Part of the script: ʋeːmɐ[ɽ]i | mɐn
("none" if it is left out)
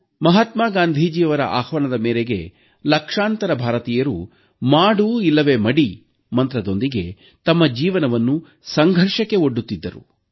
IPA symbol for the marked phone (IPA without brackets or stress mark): ɽ